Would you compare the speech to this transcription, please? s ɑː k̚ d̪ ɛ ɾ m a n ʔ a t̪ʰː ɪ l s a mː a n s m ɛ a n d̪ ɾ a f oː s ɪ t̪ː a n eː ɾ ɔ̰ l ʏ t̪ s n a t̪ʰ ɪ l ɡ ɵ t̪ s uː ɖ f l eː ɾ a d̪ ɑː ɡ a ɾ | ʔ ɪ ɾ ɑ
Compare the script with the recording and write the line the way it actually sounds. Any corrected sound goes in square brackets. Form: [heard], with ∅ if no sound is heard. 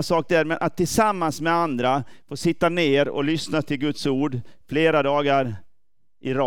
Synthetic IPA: s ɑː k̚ d̪ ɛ ɾ m [ɛ] n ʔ a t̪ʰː ɪ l s a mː a n s m ɛ a n d̪ ɾ a f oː s ɪ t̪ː a n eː ɾ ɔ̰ l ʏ [∅] s n a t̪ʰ ɪ l ɡ ɵ t̪ s uː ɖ f l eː ɾ a d̪ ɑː ɡ a ɾ | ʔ ɪ ɾ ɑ